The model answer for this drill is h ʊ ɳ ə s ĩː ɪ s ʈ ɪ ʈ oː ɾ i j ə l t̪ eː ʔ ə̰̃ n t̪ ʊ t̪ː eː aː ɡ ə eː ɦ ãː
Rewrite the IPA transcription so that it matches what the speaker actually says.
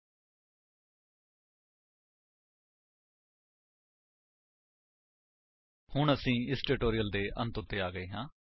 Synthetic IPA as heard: h ʊ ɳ ə s ĩː ɪ s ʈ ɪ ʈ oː ɾ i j ə l d̪ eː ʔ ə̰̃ n t̪ ʊ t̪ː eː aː ɡ ə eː ɦ ãː